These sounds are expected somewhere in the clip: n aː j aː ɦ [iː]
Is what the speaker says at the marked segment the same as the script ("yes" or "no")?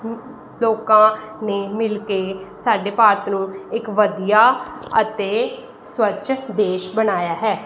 no